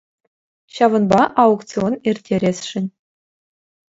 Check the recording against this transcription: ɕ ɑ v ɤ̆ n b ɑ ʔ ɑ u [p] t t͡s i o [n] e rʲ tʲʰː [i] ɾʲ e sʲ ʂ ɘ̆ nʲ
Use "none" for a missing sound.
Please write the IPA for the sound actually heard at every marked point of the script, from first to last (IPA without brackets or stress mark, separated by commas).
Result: k, n, e